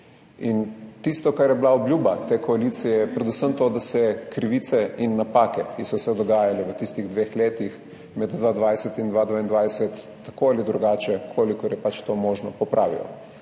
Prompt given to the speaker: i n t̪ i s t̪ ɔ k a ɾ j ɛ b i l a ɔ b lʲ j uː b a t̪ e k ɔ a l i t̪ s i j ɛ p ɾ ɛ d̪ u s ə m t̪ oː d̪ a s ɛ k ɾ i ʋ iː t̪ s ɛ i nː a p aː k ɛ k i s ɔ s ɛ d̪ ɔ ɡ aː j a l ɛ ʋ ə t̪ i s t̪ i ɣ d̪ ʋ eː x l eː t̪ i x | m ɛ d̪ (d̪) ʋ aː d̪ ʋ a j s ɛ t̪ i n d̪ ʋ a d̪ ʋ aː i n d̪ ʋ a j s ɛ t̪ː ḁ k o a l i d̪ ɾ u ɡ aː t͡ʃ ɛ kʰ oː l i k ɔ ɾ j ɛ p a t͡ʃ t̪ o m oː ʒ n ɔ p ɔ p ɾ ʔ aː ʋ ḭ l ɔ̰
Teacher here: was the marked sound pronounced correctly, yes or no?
yes